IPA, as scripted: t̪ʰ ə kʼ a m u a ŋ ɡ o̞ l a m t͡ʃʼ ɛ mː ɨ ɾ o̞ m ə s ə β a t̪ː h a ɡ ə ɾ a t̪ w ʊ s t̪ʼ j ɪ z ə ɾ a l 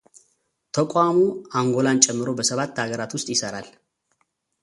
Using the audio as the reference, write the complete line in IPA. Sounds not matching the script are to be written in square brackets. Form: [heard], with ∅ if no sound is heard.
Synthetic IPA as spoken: t̪ʰ ə kʼ a m u a ŋ ɡ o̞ l a [n] t͡ʃʼ ɛ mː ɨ ɾ o̞ [b] ə s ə β a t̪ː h a ɡ ə ɾ a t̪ w ʊ s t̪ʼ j ɪ [s] ə ɾ a l